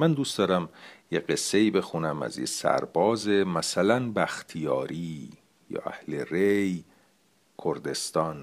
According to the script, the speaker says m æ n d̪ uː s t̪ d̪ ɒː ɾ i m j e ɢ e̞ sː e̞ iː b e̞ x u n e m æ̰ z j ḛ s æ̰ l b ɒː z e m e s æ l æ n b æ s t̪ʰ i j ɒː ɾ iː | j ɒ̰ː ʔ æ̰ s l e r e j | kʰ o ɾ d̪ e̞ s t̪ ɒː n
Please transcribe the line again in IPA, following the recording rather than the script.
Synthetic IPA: m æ n d̪ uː s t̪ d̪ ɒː ɾ æ m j e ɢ e̞ sː e̞ iː b e̞ x u n æ m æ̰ z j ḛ s æ̰ ɾ b ɒː z e m æ s æ l æ n b æ x t̪ʰ i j ɒː ɾ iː | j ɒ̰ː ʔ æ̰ h l e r e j | kʰ o ɾ d̪ e̞ s t̪ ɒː n